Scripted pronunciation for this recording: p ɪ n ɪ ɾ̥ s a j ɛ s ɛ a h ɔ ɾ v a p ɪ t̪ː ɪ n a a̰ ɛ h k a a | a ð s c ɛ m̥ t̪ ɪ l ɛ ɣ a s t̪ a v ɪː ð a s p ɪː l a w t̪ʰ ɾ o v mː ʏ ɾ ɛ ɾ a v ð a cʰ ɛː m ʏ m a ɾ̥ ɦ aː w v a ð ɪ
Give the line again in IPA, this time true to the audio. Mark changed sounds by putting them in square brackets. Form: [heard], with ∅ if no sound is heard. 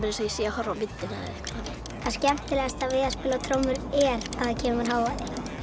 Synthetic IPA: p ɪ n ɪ [∅] s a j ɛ s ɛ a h ɔ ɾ v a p ɪ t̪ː ɪ n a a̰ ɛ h k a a | a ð s c ɛ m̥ t̪ ɪ l ɛ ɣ a s t̪ a v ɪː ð a s p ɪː l a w t̪ʰ ɾ o [w] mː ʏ ɾ ɛ ɾ a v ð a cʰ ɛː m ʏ m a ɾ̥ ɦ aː w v a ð ɪ